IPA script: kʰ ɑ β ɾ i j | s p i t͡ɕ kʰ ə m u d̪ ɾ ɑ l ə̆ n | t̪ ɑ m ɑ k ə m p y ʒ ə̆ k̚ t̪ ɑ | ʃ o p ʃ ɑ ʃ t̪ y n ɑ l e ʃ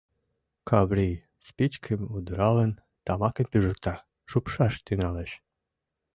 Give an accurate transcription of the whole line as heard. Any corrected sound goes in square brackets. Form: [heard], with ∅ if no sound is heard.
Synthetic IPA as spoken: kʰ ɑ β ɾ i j | s p i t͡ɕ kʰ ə m u d̪ ɾ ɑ l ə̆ n | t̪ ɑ m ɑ k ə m p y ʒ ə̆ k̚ t̪ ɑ | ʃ [u] p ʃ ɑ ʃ t̪ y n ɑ l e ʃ